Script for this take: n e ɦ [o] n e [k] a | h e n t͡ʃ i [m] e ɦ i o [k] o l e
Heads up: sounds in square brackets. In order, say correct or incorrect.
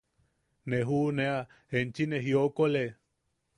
incorrect: u, incorrect: none, incorrect: n, correct

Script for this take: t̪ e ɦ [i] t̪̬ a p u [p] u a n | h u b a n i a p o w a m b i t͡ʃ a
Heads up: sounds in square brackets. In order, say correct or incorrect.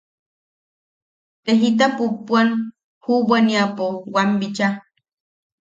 correct, correct

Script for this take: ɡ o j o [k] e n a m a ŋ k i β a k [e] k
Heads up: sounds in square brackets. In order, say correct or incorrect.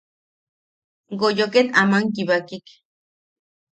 correct, incorrect: i

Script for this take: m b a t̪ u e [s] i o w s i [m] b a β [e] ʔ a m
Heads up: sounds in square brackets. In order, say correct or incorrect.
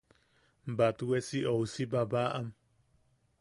correct, incorrect: none, incorrect: a

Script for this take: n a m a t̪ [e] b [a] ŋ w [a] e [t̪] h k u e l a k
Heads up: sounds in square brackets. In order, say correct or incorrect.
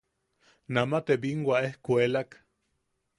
correct, incorrect: i, correct, incorrect: none

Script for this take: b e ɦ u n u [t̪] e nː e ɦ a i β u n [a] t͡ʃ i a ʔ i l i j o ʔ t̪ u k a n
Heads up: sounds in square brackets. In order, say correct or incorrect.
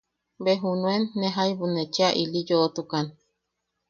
incorrect: none, incorrect: e

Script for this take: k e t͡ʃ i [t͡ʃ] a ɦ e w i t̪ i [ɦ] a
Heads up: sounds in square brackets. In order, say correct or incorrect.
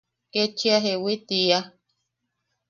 incorrect: none, incorrect: none

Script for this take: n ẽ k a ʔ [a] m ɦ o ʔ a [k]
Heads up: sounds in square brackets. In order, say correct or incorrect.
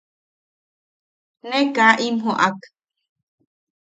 incorrect: i, correct

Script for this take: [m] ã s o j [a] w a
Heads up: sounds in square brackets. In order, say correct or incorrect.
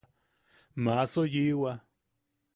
correct, incorrect: i

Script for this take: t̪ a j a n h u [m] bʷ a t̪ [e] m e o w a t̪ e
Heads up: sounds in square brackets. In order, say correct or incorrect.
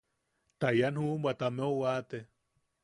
correct, incorrect: a

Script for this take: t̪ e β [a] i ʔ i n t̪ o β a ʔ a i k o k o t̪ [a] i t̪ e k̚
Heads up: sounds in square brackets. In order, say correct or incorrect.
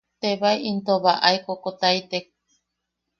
correct, correct

